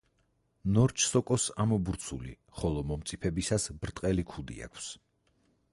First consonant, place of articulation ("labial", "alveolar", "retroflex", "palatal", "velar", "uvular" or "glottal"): alveolar